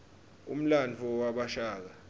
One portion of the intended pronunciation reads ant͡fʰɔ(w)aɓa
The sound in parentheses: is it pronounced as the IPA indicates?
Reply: yes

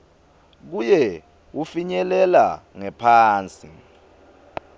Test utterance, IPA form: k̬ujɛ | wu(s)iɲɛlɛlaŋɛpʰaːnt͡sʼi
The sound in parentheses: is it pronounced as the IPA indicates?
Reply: no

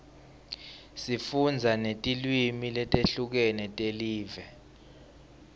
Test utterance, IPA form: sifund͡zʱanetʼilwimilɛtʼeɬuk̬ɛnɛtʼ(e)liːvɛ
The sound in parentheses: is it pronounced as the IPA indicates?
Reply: yes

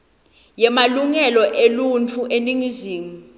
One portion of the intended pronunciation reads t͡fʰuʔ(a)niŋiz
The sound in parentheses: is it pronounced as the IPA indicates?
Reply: no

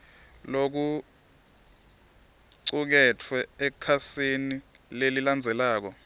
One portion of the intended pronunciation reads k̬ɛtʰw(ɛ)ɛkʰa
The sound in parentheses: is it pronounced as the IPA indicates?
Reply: yes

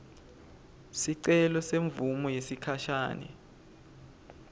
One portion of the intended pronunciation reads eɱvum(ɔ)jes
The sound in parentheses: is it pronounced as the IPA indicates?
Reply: yes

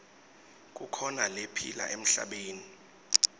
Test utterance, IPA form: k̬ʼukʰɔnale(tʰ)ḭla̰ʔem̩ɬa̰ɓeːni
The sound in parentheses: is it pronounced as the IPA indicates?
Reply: no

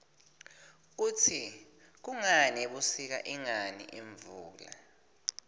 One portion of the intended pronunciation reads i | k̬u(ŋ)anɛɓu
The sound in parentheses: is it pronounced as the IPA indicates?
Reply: yes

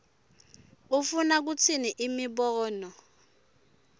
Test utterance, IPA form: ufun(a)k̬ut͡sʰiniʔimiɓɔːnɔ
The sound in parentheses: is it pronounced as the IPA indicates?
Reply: yes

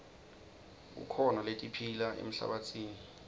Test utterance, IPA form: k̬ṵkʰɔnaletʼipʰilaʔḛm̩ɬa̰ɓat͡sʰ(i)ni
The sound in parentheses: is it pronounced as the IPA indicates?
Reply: no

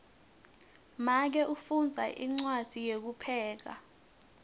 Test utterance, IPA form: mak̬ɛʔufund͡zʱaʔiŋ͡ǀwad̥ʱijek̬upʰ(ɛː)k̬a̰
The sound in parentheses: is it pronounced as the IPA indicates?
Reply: yes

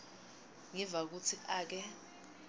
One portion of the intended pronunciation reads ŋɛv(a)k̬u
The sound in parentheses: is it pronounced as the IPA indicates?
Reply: yes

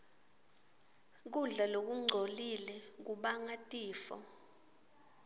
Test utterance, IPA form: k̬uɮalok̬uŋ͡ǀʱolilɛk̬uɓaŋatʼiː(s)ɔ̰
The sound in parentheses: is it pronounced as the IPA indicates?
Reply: no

